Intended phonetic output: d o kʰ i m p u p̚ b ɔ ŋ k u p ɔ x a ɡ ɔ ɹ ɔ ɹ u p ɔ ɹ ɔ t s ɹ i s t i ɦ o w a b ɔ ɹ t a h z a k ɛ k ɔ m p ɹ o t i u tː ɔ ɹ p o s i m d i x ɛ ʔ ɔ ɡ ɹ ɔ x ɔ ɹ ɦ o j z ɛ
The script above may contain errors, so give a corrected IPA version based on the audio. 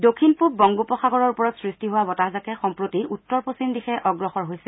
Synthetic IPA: d o kʰ i n p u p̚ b ɔ ŋ ɡ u p ɔ x a ɡ ɔ ɹ ɔ ɹ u p ɔ ɹ ɔ t s ɹ i s t i ɦ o w a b ɔ t a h z a k ɛ x ɔ m p ɹ o t i u tː ɔ ɹ p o s i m d i x ɛ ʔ ɔ ɡ ɹ ɔ x ɔ ɹ ɦ o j s ɛ